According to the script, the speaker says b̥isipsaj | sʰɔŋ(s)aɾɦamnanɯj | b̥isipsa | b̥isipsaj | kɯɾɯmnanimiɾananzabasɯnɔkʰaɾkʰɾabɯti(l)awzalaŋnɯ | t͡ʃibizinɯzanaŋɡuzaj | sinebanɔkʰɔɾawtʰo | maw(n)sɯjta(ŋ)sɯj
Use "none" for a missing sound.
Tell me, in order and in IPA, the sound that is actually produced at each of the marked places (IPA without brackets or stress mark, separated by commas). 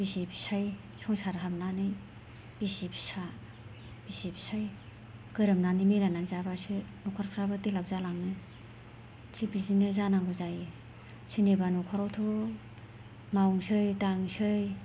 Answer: s, l, ŋ, ŋ